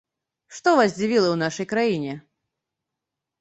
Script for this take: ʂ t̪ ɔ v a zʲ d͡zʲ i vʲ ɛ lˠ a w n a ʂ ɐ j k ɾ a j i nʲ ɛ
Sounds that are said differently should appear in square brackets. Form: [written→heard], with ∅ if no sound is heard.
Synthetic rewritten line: ʂ t̪ ɔ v a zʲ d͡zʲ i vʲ [ɛ→i] lˠ [a→ɐ] w n a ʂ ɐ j k ɾ a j i nʲ ɛ